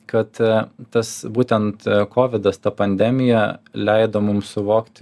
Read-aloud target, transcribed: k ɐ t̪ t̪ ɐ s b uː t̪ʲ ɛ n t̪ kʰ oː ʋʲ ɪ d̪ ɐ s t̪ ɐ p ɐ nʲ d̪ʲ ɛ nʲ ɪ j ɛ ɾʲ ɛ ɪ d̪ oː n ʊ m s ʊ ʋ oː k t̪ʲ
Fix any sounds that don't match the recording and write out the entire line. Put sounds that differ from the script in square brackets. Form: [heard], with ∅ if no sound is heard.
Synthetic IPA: k ɐ t̪ t̪ ɐ s b uː t̪ʲ ɛ n t̪ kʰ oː ʋʲ ɪ d̪ ɐ s t̪ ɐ p ɐ nʲ d̪ʲ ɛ [mʲ] ɪ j ɛ [lʲ] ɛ ɪ d̪ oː [m] ʊ m s ʊ ʋ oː k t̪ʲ